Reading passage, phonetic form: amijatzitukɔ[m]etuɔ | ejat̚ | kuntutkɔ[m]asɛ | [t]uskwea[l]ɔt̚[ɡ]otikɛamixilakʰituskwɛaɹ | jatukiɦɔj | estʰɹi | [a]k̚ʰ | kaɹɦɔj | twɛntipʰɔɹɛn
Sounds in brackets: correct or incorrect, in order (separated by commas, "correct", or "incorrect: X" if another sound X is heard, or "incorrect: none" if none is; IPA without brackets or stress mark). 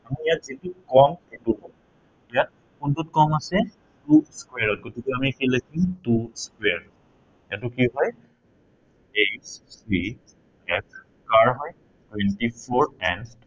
correct, correct, correct, incorrect: ɹ, correct, incorrect: ɛ